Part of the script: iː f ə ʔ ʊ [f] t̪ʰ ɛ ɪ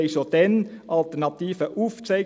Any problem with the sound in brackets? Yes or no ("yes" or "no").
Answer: no